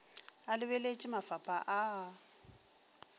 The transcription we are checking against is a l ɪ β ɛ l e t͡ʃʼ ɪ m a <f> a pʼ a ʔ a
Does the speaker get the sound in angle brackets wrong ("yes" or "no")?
no